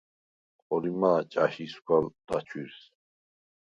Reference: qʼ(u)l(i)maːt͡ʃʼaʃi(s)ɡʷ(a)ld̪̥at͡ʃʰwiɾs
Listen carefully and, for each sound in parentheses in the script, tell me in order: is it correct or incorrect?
incorrect, correct, correct, correct

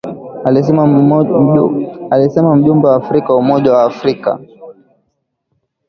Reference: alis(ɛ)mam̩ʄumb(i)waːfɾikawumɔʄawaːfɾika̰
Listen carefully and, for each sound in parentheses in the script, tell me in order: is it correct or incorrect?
correct, incorrect

